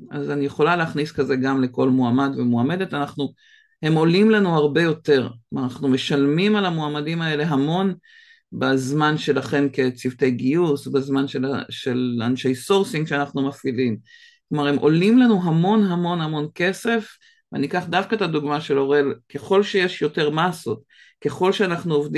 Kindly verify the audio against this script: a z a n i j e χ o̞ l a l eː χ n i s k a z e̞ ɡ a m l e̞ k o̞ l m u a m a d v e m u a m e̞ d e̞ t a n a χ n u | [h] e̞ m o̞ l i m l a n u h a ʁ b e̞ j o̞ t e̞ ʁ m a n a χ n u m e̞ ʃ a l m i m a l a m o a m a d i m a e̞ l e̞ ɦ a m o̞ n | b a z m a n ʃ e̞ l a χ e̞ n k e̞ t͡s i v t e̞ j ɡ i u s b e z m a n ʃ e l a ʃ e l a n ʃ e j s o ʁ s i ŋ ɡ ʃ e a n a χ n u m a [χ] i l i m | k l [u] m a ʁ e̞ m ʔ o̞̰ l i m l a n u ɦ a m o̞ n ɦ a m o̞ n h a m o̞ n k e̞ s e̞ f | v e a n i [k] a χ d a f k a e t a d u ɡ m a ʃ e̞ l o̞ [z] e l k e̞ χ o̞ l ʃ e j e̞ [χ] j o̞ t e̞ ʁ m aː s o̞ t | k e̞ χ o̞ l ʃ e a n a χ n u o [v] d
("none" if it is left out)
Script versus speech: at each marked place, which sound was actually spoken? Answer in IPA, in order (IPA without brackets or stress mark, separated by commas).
h, f, o, k, ʁ, ʃ, v